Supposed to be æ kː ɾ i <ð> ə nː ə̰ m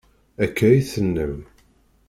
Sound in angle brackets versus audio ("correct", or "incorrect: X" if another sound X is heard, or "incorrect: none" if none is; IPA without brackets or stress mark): incorrect: θ